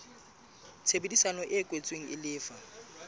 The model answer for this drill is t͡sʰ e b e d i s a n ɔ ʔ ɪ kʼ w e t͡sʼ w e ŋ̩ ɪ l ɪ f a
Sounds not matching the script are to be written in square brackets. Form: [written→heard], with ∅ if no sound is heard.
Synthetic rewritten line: t͡sʰ e b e d i s a n ɔ ʔ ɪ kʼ w e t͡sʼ w e ŋ̩ ɪ l [ɪ→ɪː] f a